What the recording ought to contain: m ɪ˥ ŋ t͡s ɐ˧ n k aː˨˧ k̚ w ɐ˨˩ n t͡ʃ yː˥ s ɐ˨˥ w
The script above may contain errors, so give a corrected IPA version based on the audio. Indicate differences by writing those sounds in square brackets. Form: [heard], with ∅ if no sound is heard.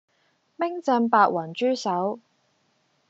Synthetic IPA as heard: m ɪ˥ ŋ t͡s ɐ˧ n [p] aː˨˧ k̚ w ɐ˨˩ n t͡ʃ yː˥ s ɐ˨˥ w

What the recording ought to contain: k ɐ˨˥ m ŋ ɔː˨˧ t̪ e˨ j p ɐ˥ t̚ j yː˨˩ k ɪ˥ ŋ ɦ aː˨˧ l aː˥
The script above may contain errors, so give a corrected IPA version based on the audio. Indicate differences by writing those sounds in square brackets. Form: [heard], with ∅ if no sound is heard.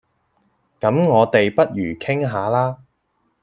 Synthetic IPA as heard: k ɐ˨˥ m ŋ ɔː˨˧ t̪ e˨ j p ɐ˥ t̚ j yː˨˩ [kʰ] ɪ˥ ŋ ɦ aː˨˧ l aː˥

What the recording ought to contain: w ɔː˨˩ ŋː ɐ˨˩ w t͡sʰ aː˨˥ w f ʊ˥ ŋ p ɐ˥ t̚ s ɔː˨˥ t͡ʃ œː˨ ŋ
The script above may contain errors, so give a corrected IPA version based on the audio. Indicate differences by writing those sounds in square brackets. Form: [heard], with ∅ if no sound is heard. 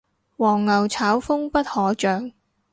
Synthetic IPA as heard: w ɔː˨˩ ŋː ɐ˨˩ w t͡sʰ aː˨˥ w f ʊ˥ ŋ p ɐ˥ t̚ [h] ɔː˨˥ t͡ʃ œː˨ ŋ

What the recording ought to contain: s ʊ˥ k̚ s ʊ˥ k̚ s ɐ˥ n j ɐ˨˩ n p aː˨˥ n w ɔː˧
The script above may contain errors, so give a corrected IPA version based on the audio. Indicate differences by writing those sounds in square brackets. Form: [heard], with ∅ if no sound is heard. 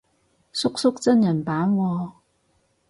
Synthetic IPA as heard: s ʊ˥ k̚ s ʊ˥ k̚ [t͡s] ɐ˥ n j ɐ˨˩ n p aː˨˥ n w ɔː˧

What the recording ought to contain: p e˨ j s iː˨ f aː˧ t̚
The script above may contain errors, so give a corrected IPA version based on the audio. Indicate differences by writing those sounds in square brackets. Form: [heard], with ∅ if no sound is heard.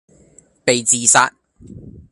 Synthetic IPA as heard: p e˨ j [t͡s] iː˨ [s] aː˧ t̚

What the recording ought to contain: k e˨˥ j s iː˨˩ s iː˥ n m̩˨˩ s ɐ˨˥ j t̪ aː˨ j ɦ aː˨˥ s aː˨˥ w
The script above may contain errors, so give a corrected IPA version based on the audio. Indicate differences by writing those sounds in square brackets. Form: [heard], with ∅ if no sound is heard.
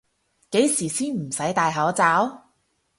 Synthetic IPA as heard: k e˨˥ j s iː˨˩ s iː˥ n m̩˨˩ s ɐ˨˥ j t̪ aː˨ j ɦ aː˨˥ [t͡s] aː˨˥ w

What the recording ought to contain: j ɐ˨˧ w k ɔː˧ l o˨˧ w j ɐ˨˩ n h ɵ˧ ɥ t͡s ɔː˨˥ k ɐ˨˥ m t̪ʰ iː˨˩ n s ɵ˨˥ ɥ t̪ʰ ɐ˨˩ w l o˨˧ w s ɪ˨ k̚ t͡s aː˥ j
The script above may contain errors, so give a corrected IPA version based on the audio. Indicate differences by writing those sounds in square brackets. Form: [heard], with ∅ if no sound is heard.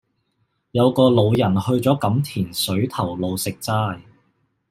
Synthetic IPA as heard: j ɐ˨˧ w k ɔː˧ l o˨˧ w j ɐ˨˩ n h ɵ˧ ɥ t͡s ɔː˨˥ k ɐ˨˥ m t̪ʰ iː˨˩ n s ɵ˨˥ ɥ t̪ʰ ɐ˨˩ w l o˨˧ w s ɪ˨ k̚ t͡s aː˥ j

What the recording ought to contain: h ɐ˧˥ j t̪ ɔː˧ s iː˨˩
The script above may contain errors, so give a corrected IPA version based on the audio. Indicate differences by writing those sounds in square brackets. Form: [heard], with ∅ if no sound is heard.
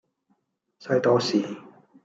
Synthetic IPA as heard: [s] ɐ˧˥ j t̪ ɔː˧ s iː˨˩

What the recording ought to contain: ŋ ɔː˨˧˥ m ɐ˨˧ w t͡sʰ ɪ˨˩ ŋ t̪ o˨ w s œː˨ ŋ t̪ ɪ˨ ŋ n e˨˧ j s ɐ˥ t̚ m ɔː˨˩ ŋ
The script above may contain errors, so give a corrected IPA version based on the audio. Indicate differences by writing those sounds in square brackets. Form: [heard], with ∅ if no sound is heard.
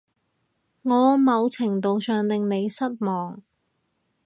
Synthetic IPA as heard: ŋ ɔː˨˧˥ m ɐ˨˧ w t͡sʰ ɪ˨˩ ŋ t̪ o˨ w s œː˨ ŋ t̪ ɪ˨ ŋ n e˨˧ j s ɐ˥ t̚ m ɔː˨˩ ŋ

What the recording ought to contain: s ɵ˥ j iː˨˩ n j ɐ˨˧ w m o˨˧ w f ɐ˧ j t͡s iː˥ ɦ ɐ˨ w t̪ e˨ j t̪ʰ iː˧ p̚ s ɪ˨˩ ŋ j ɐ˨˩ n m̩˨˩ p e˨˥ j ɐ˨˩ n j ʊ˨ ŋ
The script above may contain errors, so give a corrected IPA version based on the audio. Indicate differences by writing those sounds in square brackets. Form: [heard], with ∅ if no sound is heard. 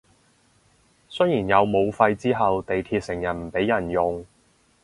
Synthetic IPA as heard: s ɵ˥ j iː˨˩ n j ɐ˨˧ w m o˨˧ w f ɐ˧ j t͡s iː˥ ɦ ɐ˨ w t̪ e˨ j t̪ʰ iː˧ [t̚] s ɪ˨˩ ŋ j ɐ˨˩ n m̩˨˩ p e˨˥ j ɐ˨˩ n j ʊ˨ ŋ

